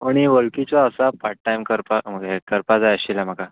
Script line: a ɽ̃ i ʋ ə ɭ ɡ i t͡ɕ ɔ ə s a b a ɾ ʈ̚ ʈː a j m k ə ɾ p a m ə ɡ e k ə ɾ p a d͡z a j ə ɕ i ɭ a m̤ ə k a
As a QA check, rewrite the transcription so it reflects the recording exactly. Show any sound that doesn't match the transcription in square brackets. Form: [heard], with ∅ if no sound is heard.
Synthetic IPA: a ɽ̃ i ʋ ə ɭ [k] i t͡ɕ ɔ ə s a [p] a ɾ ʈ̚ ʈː a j m k ə ɾ p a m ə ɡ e k ə ɾ p a d͡z a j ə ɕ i [l] a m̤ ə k a